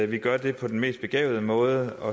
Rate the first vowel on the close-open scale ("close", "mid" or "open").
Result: close